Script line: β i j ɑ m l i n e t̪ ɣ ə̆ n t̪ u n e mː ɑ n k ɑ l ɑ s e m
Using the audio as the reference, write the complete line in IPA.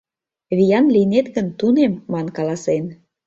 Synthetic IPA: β i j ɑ n l i n e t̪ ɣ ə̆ n t̪ u n e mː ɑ n k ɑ l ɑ s e n